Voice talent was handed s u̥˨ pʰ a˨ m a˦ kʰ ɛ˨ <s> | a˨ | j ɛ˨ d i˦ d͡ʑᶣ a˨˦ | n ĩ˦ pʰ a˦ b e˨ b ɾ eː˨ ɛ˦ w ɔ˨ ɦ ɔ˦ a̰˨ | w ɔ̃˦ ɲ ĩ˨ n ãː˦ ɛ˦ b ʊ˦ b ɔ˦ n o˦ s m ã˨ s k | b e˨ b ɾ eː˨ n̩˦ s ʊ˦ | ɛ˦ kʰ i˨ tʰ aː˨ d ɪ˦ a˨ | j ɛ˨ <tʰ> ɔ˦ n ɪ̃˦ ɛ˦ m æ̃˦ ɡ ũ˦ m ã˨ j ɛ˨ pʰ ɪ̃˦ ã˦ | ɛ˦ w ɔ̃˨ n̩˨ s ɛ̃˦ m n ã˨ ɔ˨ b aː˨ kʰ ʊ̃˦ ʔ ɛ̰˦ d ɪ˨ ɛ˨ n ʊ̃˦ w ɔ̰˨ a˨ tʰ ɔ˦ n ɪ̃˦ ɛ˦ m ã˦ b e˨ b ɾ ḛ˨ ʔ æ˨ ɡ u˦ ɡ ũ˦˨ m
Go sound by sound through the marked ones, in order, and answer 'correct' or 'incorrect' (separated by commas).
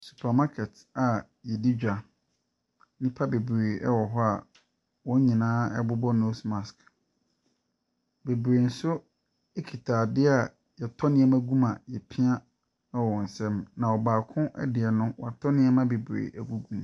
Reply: incorrect, correct